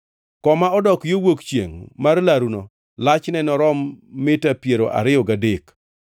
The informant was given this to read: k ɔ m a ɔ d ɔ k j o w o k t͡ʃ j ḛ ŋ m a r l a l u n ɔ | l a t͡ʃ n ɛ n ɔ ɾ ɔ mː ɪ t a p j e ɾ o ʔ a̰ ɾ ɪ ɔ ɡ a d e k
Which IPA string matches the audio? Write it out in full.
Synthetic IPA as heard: k ɔ m a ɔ d ɔ k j o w o k t͡ʃ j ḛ ŋ m a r l a ɾ u n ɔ | l a t͡ʃ n ɛ n ɔ ɾ ɔ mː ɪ t a p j e ɾ o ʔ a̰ ɾ ɪ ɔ ɡ a d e k